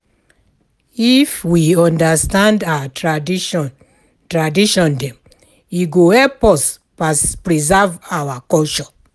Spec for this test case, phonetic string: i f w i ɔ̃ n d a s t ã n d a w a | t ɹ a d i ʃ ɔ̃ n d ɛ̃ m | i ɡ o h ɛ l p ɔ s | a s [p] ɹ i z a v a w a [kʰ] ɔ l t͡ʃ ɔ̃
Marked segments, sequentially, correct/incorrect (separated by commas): correct, incorrect